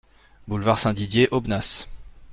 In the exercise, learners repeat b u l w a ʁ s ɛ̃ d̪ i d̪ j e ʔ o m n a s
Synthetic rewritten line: b u l v a ʁ s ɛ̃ d̪ i d̪ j e ʔ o b n a s